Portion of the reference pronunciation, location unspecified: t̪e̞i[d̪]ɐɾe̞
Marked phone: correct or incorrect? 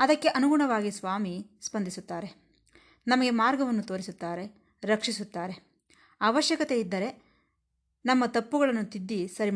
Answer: incorrect